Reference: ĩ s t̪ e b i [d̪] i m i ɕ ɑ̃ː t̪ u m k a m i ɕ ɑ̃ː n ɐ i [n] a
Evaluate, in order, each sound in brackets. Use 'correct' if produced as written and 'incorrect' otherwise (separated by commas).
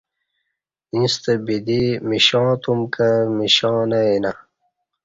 correct, correct